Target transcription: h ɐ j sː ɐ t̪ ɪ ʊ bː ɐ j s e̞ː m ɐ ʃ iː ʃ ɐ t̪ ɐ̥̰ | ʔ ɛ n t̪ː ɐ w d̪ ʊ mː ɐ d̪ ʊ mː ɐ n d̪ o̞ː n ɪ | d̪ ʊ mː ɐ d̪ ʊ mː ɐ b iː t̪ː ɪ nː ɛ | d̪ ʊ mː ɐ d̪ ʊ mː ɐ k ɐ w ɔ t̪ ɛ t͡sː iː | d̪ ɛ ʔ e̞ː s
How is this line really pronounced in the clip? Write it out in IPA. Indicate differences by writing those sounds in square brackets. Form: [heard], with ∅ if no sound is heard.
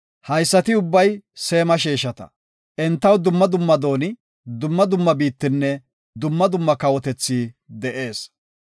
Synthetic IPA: h ɐ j sː ɐ t̪ ɪ ʊ bː ɐ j s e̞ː m ɐ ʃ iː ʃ ɐ t̪ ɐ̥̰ | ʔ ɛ n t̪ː ɐ w d̪ ʊ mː ɐ d̪ ʊ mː ɐ [∅] d̪ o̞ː n ɪ | d̪ ʊ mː ɐ d̪ ʊ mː ɐ b iː t̪ː ɪ nː ɛ | d̪ ʊ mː ɐ d̪ ʊ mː ɐ k ɐ w ɔ t̪ ɛ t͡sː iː | d̪ ɛ ʔ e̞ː s